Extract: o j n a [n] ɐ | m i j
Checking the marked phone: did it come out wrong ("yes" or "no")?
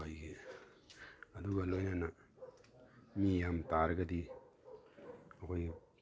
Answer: no